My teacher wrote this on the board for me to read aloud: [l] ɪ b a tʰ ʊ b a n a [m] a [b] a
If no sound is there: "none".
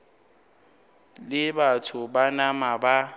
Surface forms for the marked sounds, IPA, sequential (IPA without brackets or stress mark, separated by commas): l, m, b